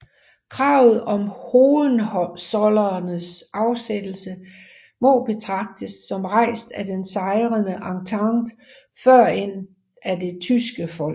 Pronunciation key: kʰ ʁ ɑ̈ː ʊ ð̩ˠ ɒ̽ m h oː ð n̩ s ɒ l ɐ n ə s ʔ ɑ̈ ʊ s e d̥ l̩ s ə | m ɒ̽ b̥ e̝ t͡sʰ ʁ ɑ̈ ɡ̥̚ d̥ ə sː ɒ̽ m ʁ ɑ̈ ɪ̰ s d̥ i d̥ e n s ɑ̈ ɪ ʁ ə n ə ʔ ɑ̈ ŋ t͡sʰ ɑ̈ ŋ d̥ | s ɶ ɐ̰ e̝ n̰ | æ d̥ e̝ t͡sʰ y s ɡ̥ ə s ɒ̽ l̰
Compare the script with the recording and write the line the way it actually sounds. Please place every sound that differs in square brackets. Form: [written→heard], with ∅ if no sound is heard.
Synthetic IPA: kʰ ʁ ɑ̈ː ʊ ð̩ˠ ɒ̽ m h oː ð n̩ s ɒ l ɐ n ə s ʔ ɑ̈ ʊ s e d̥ l̩ s ə | m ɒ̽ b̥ e̝ t͡sʰ ʁ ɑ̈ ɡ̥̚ d̥ ə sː ɒ̽ m ʁ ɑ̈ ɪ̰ s d̥ [i→æ] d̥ e n s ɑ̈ ɪ ʁ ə n ə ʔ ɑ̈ ŋ t͡sʰ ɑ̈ ŋ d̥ | [s→f] ɶ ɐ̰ e̝ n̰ | æ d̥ e̝ t͡sʰ y s ɡ̥ ə [s→f] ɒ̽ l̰

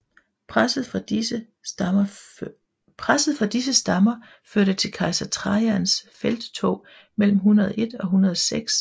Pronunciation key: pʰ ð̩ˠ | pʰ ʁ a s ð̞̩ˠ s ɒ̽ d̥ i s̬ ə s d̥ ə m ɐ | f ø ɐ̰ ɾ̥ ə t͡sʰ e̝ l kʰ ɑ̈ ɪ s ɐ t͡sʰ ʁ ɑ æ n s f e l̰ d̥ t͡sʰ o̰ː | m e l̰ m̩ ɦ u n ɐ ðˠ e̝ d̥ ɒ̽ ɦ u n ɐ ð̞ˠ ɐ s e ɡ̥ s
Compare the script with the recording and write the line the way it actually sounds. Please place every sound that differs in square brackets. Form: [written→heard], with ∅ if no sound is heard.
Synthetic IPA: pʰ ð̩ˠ | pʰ ʁ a s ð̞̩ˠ [s→f] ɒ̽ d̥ i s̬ ə s d̥ [ə→ɑ] m ɐ | f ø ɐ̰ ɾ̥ ə t͡sʰ e̝ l kʰ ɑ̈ ɪ s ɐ t͡sʰ ʁ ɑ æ n s f e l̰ d̥ t͡sʰ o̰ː | m e l̰ m̩ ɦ u n ɐ ðˠ e̝ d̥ ɒ̽ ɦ u n ɐ ð̞ˠ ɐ s e ɡ̥ s

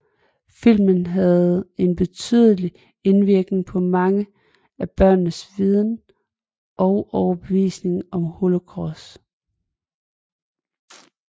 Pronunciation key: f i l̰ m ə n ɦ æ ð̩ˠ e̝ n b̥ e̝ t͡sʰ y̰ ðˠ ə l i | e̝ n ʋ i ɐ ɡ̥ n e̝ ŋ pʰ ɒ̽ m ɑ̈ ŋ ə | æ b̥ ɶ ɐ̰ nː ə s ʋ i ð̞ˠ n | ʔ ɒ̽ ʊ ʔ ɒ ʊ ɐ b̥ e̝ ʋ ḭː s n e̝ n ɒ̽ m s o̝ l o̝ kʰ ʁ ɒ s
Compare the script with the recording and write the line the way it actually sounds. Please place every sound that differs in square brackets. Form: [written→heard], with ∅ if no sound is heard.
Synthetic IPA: f i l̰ m ə n ɦ æ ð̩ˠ e̝ n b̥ e̝ t͡sʰ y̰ ðˠ ə l i | e̝ n ʋ i ɐ ɡ̥ n e̝ ŋ pʰ ɒ̽ m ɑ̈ ŋ ə | æ b̥ ɶ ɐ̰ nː ə s ʋ i ð̞ˠ n | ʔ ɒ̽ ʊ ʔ ɒ ʊ ɐ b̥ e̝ ʋ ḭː s n e̝ [n→ŋ] ɒ̽ m [s→h] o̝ l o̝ kʰ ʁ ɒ s

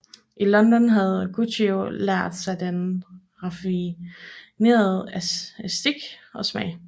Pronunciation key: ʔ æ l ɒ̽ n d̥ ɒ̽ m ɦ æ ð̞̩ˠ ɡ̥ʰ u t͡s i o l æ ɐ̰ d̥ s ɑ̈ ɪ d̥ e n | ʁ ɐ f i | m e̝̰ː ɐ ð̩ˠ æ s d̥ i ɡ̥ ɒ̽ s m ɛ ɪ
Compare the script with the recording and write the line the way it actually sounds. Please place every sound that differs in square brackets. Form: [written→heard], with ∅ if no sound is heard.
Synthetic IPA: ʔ [æ→i] l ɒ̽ n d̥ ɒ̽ [m→n] ɦ æ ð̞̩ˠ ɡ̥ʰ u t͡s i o l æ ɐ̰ d̥ s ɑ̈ ɪ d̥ e n | ʁ [ɐ→ɑ] f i | [m→n] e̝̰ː ɐ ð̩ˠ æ s d̥ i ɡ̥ ɒ̽ s m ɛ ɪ

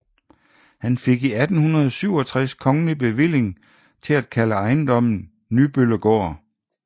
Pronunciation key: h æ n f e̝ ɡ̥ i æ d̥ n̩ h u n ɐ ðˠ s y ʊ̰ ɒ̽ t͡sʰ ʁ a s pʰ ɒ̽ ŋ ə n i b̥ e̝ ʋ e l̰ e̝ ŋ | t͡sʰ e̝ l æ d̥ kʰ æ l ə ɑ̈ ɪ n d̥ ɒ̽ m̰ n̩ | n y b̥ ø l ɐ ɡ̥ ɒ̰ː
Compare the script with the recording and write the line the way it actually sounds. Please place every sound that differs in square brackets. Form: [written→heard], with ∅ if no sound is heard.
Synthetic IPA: h æ n f e̝ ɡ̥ i æ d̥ n̩ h u n ɐ ðˠ s y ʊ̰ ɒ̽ t͡sʰ ʁ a s [pʰ→kʰ] ɒ̽ ŋ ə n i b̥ e̝ ʋ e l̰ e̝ ŋ | t͡sʰ e̝ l æ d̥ kʰ æ l ə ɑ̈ ɪ n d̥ ɒ̽ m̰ n̩ | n y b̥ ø l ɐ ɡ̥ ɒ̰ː

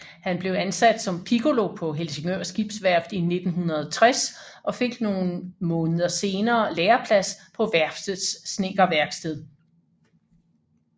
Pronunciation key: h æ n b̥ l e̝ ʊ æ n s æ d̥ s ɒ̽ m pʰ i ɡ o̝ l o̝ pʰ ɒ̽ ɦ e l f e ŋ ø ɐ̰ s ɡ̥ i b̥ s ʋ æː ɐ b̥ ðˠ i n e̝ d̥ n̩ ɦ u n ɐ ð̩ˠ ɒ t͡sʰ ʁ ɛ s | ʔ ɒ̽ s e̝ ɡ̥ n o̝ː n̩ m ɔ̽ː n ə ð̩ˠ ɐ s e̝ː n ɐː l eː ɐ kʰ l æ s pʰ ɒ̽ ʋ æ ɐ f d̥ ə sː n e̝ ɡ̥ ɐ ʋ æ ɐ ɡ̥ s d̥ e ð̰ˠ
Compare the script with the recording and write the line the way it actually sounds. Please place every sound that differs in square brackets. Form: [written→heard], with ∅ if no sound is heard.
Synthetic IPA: h æ n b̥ l e̝ ʊ æ n s æ d̥ s ɒ̽ m pʰ i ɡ o̝ l o̝ pʰ ɒ̽ ɦ e l [f→s] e ŋ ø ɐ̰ s ɡ̥ i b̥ s ʋ [æː→æ] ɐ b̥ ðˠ i n e̝ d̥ n̩ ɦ u n ɐ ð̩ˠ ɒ t͡sʰ ʁ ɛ s | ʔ ɒ̽ [s→f] e̝ ɡ̥ n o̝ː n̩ m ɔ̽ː n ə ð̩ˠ ɐ s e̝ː n ɐː l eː ɐ [kʰ→pʰ] l æ s pʰ ɒ̽ ʋ æ ɐ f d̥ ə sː n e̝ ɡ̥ ɐ ʋ æ ɐ ɡ̥ s d̥ e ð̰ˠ

